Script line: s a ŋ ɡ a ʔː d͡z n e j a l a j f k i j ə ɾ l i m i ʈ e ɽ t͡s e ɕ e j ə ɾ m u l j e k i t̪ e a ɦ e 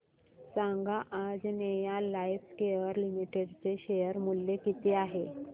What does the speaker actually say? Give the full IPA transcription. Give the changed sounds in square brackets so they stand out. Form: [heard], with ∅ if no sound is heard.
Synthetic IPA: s a ŋ ɡ a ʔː d͡z n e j a l a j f k [e] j ə ɾ l i m i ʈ e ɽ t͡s e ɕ e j ə ɾ m u l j e k i t̪ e a ɦ e

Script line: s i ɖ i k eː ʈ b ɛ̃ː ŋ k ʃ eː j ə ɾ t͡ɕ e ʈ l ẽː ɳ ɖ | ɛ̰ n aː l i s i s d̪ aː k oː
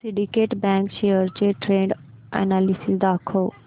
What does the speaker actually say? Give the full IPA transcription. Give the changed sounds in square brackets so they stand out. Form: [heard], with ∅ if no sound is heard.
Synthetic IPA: s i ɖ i k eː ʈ b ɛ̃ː ŋ k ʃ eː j ə ɾ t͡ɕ e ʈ [ɾ] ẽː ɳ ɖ | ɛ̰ n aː l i s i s d̪ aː [kʰ] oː

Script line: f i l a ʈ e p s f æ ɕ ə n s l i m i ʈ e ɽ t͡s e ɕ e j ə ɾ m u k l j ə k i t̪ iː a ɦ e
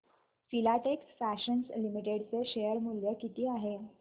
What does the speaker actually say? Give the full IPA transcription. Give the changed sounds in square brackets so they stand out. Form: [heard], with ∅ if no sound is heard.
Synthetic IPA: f i l a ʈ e [k] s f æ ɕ ə n s l i m i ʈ e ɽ t͡s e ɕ e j ə ɾ m u [∅] l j ə k i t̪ iː a ɦ e

